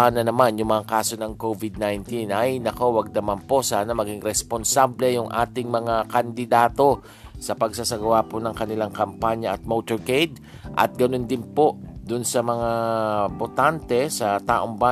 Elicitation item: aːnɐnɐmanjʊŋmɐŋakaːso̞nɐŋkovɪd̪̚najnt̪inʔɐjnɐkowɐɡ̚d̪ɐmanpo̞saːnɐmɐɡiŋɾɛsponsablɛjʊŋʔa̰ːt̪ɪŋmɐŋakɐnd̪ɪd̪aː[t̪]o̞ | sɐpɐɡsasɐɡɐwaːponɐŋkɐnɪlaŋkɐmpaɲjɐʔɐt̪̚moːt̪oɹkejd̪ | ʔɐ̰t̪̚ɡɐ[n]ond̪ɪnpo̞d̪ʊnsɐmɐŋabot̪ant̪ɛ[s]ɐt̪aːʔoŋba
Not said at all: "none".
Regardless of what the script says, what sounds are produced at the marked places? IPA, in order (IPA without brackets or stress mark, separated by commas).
t̪, n, s